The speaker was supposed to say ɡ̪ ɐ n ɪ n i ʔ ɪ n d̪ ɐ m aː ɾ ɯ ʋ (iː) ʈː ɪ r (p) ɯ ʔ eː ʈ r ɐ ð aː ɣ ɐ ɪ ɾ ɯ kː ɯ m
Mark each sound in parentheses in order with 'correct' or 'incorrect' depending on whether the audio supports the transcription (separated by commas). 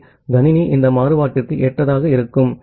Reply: incorrect, incorrect